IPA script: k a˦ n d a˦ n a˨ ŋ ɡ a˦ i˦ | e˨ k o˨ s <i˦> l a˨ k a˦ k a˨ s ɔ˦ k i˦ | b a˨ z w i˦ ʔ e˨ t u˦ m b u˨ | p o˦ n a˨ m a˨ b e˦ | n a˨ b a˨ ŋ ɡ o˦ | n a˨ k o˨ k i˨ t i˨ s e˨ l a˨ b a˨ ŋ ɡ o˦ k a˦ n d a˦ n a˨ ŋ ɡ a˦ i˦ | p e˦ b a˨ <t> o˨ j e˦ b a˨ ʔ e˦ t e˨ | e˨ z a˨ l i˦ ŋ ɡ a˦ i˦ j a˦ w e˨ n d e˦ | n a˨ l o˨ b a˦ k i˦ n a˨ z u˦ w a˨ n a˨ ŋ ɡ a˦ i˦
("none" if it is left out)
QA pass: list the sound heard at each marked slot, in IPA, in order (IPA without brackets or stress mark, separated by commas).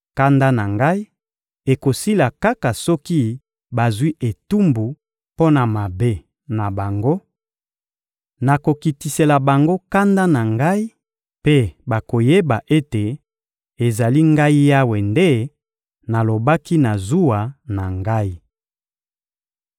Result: i˦, k